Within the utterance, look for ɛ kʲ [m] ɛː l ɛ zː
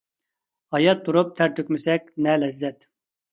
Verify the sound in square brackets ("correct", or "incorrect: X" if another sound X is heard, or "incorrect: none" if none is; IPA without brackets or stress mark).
incorrect: n